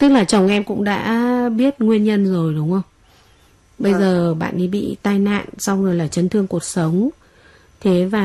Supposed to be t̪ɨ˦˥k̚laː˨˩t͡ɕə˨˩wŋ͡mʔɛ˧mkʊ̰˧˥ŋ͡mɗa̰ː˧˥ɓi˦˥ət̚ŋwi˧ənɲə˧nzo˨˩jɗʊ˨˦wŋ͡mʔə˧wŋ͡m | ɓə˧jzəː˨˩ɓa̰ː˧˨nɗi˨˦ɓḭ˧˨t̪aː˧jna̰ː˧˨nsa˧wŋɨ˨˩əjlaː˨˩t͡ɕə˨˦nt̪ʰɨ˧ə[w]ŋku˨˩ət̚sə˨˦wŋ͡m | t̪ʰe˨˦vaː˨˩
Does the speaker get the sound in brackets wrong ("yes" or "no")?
yes